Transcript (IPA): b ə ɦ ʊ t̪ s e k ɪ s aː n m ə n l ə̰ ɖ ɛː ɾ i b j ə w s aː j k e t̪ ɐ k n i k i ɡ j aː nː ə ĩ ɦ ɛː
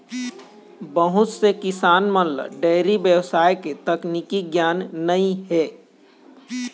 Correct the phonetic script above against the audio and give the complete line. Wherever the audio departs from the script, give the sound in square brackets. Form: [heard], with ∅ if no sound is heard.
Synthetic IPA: b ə ɦ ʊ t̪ s e k ɪ s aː n m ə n l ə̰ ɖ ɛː ɾ i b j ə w s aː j k e t̪ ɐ k n i k i ɡ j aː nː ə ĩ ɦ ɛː